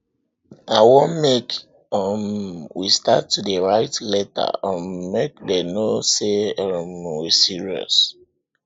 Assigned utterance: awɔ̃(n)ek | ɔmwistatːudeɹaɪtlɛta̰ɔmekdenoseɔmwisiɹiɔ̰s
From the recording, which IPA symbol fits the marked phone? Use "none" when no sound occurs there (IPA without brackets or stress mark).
m